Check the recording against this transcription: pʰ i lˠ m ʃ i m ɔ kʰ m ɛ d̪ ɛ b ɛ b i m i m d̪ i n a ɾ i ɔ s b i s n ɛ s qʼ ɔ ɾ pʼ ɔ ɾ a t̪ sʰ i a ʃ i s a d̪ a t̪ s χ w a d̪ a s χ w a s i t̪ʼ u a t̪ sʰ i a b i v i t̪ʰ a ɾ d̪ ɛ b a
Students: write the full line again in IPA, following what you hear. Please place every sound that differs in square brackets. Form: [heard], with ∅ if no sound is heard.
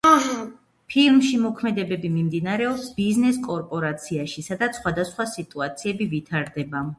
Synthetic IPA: pʰ i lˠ m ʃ i m ɔ kʰ m ɛ d̪ ɛ b ɛ b i m i m d̪ i n a ɾ [ɛ] ɔ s b i [z] n ɛ s [kʼ] ɔ ɾ pʼ ɔ ɾ a t̪ sʰ i a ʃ i s a d̪ a t̪ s χ w a d̪ a s χ w a s i t̪ʼ u a t̪ sʰ i [ɛ] b i v i t̪ʰ a ɾ d̪ ɛ b a